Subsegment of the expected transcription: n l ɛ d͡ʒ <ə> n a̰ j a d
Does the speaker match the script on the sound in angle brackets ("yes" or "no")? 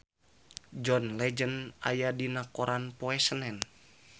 yes